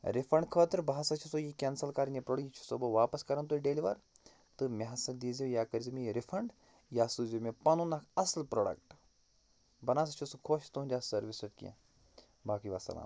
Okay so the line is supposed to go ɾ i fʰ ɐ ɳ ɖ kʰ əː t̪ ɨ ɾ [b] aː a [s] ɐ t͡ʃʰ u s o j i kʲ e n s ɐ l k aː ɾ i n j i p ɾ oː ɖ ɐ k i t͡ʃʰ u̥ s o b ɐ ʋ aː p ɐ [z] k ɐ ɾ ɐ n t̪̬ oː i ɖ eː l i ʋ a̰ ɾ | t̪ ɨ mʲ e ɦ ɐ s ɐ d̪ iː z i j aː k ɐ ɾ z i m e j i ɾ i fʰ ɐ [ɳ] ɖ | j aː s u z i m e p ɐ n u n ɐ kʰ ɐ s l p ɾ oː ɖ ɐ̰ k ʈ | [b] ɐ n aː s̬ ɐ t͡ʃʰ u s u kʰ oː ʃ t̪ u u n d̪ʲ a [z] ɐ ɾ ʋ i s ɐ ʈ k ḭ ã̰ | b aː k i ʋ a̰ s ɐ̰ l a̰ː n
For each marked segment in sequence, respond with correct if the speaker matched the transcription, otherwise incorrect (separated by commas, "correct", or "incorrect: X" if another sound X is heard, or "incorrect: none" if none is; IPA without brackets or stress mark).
correct, correct, incorrect: s, correct, correct, incorrect: s